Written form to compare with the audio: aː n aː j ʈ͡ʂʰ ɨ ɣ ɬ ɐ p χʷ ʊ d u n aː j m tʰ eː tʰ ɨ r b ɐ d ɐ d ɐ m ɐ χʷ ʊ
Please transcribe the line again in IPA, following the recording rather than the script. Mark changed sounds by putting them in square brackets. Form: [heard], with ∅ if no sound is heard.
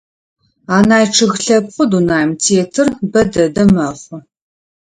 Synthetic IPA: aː n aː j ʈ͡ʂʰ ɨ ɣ ɬ ɐ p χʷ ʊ d u n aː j m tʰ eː tʰ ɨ r b ɐ d ɐ d ɐ m ɐ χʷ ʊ